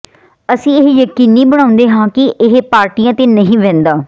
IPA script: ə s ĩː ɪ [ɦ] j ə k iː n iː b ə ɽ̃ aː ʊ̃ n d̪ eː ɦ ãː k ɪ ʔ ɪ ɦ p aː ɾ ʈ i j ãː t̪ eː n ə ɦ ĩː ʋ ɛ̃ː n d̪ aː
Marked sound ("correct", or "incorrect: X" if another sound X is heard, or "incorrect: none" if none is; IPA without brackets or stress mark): correct